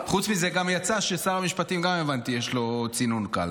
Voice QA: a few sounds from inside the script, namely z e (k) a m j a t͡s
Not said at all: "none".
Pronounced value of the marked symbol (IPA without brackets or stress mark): ɡ